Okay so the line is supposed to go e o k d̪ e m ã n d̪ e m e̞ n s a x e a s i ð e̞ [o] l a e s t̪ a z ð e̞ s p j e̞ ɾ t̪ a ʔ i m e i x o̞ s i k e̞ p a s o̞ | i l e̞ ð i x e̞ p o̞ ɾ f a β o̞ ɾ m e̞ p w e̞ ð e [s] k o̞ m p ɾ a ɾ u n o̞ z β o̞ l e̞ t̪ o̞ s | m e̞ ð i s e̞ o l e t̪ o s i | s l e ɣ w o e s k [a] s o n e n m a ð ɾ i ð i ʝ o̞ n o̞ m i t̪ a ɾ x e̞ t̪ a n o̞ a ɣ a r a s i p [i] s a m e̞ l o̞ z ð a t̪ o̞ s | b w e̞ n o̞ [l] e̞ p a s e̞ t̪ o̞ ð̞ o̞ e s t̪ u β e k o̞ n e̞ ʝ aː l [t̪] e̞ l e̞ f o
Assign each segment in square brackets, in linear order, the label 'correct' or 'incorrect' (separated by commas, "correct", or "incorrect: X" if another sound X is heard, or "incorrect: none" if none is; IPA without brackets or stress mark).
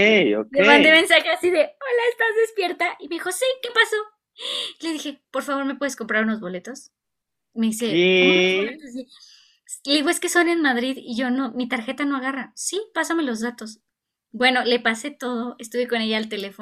correct, correct, incorrect: e, incorrect: a, correct, correct